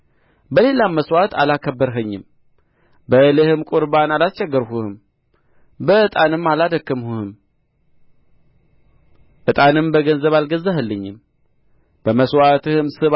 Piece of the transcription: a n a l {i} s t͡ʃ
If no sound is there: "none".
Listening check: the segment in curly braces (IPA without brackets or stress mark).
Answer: a